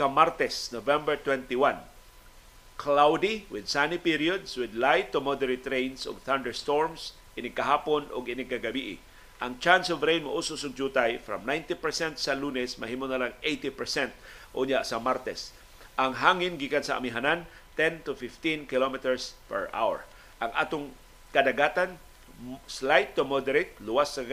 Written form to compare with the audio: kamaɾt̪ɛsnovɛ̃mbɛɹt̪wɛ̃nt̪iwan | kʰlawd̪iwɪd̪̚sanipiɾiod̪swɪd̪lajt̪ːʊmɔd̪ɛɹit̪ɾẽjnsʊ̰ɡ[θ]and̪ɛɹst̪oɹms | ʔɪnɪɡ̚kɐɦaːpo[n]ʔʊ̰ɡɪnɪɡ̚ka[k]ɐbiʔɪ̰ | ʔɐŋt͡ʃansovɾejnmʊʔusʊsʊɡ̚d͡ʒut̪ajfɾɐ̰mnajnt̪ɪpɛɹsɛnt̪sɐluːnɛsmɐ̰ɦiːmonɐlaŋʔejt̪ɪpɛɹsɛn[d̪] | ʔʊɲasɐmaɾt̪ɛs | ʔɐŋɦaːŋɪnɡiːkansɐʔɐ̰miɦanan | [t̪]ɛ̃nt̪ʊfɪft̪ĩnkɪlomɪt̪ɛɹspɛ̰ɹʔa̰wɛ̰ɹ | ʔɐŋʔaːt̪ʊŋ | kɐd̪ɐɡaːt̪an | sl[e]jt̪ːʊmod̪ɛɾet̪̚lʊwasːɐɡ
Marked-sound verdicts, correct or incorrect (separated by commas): correct, correct, incorrect, incorrect, correct, incorrect